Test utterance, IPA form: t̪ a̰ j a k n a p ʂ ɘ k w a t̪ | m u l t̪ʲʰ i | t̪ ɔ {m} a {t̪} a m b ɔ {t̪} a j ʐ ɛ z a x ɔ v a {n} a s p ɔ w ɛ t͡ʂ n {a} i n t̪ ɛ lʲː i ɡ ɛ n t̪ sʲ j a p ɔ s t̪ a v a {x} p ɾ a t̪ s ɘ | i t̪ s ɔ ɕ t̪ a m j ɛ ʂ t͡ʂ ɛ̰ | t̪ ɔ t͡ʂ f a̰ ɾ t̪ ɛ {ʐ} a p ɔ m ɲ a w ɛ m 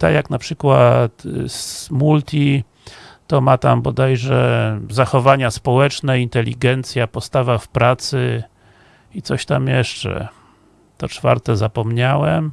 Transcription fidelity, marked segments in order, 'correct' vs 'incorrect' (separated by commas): correct, correct, incorrect, incorrect, incorrect, incorrect, incorrect